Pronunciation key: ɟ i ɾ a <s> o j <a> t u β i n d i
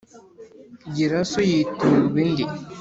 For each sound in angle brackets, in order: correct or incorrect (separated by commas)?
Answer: correct, incorrect